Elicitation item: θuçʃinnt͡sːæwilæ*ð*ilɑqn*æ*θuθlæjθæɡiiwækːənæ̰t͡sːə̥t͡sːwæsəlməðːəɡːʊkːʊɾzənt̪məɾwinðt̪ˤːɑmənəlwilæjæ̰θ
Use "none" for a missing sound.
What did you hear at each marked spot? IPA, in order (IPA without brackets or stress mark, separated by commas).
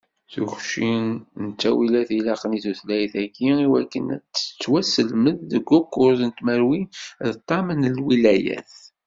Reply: θ, i